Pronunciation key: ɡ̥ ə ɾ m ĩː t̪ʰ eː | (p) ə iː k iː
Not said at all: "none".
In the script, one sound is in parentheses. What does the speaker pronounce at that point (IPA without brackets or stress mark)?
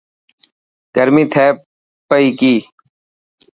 p